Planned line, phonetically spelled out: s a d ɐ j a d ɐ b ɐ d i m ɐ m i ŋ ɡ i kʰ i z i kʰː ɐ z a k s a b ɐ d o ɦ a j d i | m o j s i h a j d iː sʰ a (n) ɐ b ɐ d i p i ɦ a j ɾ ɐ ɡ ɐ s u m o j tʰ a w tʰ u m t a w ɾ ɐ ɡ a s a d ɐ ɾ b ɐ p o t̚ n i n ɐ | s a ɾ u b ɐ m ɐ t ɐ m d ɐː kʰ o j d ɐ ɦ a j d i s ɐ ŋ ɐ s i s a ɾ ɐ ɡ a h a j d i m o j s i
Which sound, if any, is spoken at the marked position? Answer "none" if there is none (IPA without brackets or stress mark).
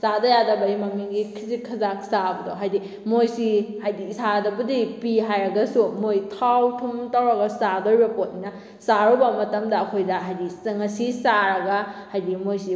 d